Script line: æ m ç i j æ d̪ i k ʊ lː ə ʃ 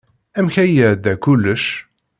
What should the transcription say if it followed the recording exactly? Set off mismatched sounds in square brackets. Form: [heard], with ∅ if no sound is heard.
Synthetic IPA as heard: æ m ç [æ] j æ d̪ [æ] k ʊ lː ə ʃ